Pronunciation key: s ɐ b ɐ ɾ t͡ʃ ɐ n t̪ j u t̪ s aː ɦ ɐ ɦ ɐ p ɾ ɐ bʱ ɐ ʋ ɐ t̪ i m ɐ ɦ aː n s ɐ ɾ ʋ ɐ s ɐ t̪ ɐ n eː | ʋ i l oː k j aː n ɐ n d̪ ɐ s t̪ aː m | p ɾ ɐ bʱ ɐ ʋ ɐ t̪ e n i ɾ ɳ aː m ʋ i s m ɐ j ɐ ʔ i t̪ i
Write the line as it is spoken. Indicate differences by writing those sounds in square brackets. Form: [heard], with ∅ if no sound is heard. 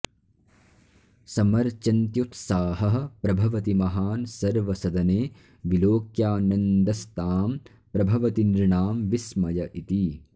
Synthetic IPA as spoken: s ɐ [m] ɐ ɾ t͡ʃ ɐ n t̪ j u t̪ s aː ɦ ɐ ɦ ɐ p ɾ ɐ bʱ ɐ ʋ ɐ t̪ i m ɐ ɦ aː n s ɐ ɾ ʋ ɐ s ɐ [d̪] ɐ n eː | ʋ i l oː k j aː n ɐ n d̪ ɐ s t̪ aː m | p ɾ ɐ bʱ ɐ ʋ ɐ t̪ [i] n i ɾ ɳ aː m ʋ i s m ɐ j ɐ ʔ i t̪ i